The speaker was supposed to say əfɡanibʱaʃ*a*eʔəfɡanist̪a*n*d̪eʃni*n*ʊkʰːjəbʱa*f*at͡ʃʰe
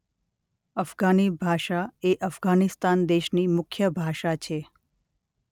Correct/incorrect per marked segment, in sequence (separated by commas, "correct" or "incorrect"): correct, correct, incorrect, incorrect